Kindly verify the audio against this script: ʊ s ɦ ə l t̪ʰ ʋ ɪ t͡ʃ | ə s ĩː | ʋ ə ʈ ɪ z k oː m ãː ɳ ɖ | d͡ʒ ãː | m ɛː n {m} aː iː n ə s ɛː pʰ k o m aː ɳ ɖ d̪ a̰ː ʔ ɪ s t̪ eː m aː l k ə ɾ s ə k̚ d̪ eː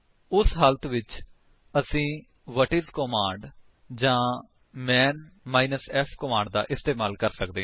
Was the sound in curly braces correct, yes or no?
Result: yes